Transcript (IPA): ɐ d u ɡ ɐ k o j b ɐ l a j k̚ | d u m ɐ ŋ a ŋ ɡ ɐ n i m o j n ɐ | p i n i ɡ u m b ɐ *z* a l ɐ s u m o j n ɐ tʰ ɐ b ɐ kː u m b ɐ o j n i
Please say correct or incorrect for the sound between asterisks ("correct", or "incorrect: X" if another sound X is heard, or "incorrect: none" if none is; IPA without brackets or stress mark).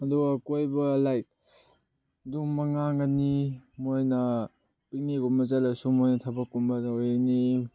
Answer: correct